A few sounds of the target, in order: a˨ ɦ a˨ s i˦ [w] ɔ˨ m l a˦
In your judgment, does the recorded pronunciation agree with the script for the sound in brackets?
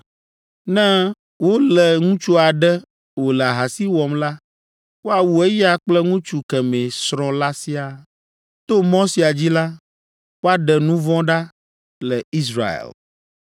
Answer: yes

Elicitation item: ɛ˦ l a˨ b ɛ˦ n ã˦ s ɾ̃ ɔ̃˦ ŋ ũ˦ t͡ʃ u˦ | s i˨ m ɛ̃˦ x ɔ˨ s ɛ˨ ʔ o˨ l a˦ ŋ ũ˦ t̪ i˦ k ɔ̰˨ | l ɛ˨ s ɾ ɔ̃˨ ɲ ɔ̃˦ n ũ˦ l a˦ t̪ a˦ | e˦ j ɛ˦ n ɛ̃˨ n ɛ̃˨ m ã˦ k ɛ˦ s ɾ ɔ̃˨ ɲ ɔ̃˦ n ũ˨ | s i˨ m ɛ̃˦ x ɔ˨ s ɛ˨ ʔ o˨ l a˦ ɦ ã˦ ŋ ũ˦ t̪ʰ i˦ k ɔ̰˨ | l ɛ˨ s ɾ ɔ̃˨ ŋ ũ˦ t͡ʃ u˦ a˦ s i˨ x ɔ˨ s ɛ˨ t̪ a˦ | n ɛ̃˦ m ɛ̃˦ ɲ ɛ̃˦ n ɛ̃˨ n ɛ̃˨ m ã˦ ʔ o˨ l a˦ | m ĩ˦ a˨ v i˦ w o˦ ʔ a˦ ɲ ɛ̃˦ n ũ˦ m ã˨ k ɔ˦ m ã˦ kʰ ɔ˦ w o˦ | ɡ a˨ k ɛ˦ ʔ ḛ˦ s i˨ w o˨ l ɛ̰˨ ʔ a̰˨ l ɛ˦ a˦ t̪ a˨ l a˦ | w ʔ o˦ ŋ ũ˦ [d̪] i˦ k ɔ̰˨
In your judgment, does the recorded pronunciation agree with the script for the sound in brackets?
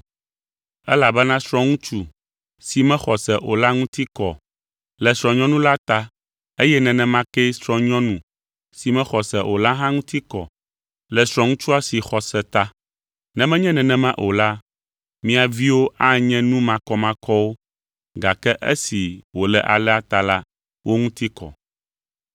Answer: no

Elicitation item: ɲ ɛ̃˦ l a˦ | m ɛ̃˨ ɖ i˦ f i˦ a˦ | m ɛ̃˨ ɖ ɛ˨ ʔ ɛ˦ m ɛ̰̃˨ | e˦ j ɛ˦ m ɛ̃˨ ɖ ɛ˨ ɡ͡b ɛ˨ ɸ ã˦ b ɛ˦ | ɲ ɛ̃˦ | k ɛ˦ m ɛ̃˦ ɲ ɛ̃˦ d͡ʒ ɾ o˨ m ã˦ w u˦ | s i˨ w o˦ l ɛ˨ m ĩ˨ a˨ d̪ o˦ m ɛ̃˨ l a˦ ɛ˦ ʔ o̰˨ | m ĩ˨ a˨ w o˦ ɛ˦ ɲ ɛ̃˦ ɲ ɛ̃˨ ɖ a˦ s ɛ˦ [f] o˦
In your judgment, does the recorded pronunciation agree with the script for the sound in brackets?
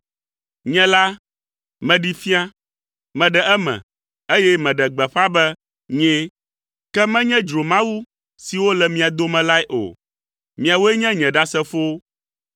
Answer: yes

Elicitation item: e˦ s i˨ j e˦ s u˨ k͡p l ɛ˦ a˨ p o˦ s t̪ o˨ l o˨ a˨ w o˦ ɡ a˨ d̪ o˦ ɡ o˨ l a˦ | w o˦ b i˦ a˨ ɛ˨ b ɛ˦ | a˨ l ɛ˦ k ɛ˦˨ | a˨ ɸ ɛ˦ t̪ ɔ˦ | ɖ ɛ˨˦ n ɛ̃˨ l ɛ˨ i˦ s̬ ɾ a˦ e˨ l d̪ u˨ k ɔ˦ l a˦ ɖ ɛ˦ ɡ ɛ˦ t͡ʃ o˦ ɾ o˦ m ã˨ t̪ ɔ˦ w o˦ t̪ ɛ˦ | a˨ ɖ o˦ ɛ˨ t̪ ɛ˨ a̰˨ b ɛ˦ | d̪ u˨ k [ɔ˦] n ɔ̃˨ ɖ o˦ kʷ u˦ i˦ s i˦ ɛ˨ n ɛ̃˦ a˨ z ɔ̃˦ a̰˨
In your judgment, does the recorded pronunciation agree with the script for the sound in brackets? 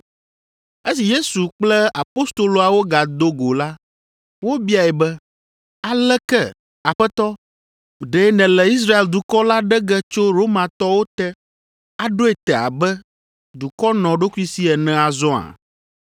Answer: yes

